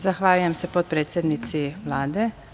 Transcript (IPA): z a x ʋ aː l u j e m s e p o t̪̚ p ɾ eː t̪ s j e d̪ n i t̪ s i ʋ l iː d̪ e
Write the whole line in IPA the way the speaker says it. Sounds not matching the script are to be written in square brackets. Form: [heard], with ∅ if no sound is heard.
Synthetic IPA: z a x ʋ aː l u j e m s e p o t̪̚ p ɾ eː t̪ s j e d̪ n i t̪ s i ʋ l [aː] d̪ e